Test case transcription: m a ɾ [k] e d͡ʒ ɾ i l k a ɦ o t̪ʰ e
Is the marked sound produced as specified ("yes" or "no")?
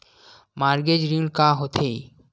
no